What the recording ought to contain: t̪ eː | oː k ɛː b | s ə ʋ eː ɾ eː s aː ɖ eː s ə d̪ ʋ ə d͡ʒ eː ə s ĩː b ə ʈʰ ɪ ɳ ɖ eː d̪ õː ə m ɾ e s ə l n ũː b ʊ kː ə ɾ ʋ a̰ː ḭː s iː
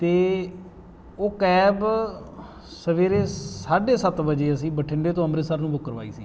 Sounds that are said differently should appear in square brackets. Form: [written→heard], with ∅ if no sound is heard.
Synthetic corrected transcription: t̪ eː | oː k ɛː b | s ə ʋ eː ɾ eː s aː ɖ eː s ə [d̪→t̪] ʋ ə d͡ʒ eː ə s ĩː b ə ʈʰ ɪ ɳ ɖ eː [d̪→t̪] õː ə m ɾ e s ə [l→ɾ] n ũː b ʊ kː ə ɾ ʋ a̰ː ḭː s iː